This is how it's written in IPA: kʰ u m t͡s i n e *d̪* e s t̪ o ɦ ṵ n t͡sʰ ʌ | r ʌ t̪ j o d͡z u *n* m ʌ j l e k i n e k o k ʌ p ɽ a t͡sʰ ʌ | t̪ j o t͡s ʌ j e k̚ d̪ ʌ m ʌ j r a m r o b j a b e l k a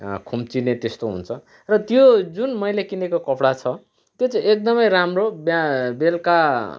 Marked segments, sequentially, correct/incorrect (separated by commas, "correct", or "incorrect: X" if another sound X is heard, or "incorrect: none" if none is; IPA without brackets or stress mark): incorrect: t̪, correct